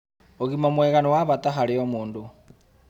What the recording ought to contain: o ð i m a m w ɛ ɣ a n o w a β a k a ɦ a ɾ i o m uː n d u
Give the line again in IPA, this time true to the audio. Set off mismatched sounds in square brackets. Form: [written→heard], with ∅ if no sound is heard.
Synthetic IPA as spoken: o [ð→ɣ] i m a m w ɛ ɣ a n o w a β a [k→t] a ɦ a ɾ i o m uː n d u